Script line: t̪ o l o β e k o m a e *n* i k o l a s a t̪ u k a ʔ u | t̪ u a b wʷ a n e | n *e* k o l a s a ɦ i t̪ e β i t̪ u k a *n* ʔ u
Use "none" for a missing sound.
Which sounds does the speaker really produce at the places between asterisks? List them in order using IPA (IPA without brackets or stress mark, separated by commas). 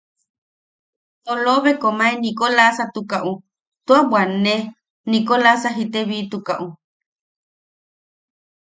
n, i, none